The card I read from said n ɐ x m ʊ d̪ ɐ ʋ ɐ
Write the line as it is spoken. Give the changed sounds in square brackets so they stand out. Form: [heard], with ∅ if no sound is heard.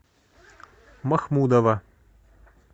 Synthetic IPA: [m] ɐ x m [u] d̪ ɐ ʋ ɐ